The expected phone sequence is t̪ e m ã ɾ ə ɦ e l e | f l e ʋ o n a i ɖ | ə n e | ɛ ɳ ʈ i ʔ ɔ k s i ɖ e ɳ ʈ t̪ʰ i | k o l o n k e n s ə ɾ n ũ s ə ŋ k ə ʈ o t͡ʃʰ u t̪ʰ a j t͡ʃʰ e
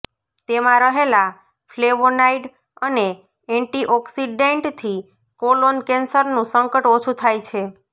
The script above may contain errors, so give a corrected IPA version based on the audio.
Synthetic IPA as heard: t̪ e m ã ɾ ə ɦ e l a | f l e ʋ o n a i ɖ | ə n e | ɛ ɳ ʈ i ʔ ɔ k s i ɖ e ɳ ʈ t̪ʰ i | k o l o n k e n s ə ɾ n ũ s ə ŋ k ə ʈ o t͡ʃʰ u t̪ʰ a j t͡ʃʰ e